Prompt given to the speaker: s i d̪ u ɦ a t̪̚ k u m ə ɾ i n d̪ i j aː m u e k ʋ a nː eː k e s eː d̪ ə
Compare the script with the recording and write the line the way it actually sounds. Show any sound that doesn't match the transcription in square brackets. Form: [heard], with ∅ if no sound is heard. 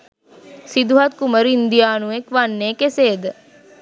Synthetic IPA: s i d̪ u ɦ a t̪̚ k u m ə ɾ i n d̪ i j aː [n] u e k ʋ a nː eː k e s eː d̪ ə

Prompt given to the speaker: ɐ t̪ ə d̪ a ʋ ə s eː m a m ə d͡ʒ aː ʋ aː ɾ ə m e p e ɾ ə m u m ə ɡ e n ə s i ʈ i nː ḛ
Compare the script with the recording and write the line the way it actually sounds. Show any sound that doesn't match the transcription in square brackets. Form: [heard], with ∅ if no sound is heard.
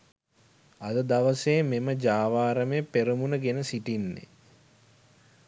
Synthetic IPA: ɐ [d̪] ə d̪ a ʋ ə s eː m [e] m ə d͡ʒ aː ʋ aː ɾ ə m e p e ɾ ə m u [n] ə ɡ e n ə s i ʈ i nː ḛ

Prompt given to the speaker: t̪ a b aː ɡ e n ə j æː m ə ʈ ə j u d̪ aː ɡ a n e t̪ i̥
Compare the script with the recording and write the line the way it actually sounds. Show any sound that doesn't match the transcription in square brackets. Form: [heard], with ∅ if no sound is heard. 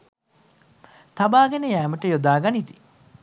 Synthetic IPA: t̪ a b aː ɡ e n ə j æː m ə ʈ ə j [o] d̪ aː ɡ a n [i] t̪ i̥

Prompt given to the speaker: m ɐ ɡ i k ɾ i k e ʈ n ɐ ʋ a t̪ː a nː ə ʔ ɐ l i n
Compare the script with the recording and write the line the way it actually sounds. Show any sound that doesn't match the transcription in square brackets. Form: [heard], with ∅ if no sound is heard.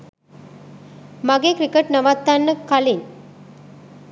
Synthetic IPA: m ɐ ɡ [e] k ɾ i k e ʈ n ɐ ʋ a t̪ː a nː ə [k] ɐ l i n

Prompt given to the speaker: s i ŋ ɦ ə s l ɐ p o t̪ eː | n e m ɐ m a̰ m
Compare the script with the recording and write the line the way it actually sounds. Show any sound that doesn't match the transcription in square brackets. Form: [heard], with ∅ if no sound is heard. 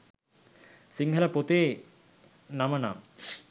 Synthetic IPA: s i ŋ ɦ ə [∅] l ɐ p o t̪ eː | n [a] m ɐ [n] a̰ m

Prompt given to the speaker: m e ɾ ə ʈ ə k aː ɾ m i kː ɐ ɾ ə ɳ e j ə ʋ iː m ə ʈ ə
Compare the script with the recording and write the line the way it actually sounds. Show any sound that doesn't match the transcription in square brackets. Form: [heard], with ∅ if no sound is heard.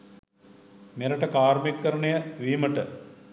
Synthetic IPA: m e ɾ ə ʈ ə k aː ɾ m i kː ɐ ɾ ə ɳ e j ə ʋ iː m ə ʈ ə

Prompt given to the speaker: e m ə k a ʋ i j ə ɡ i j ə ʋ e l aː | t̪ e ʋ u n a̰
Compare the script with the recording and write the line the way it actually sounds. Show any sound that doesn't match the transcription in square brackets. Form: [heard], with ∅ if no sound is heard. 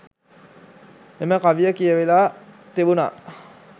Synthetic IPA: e m ə k a ʋ i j ə [k] i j ə ʋ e l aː | t̪ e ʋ u n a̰

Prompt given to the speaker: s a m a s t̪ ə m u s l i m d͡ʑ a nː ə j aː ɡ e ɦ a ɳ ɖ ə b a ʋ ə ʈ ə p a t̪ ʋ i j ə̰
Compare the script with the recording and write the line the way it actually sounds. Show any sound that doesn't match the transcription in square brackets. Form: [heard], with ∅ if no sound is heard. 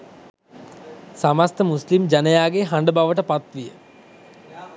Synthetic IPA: s a m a s t̪ ə m u s l i m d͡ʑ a [n] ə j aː ɡ e ɦ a ɳ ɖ ə b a ʋ ə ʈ ə p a t̪ ʋ i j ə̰

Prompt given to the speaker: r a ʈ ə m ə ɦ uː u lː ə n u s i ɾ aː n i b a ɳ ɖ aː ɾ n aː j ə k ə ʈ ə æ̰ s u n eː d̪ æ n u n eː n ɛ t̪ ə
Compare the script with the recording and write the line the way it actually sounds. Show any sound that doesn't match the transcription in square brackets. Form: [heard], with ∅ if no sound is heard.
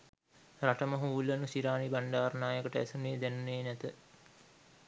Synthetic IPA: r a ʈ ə m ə ɦ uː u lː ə n u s i ɾ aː n i b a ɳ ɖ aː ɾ n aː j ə k ə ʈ ə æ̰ s u n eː d̪ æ n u n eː n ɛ t̪ ə

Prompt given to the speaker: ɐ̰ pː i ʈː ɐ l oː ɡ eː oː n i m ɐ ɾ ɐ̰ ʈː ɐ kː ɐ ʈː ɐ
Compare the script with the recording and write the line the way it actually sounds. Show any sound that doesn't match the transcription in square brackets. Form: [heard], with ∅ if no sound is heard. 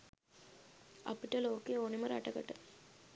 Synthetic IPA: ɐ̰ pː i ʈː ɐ l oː [k] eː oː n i m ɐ ɾ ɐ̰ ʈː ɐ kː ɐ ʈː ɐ

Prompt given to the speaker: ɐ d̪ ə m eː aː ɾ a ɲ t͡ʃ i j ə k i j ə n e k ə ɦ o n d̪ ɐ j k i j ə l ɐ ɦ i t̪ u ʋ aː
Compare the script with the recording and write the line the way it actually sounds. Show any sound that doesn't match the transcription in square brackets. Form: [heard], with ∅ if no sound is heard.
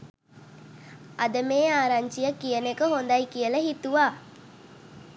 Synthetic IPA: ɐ d̪ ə m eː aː ɾ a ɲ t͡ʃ i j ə k i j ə n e k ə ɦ o n d̪ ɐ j k i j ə l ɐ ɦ i t̪ u ʋ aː

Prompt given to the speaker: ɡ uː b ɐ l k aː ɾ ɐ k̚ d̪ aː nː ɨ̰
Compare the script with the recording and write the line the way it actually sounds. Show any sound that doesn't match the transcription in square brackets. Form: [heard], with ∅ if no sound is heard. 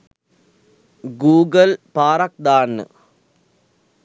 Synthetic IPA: ɡ uː [ɡ] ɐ l [p] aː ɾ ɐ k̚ d̪ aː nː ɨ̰

